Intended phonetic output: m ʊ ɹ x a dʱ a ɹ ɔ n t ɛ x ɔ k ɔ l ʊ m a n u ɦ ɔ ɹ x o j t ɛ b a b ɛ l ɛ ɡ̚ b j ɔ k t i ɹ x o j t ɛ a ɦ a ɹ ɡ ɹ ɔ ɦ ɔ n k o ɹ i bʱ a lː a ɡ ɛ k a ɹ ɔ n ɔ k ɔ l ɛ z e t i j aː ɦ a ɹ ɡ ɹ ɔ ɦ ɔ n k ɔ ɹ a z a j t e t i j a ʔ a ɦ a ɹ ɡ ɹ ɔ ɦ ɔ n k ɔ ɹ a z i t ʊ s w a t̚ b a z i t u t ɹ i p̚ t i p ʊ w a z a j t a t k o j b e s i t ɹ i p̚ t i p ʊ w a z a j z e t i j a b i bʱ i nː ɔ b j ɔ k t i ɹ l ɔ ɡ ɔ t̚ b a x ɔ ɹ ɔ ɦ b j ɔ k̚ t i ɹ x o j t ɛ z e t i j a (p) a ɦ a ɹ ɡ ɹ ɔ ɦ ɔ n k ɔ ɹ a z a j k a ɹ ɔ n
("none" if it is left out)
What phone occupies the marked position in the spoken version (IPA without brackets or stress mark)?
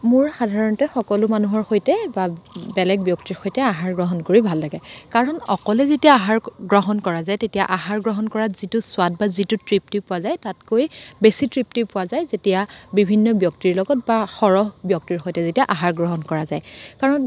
ʔ